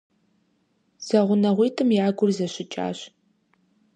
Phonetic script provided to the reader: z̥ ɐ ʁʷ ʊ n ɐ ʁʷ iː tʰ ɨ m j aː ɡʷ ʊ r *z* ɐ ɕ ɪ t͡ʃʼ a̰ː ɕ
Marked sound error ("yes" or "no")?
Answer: no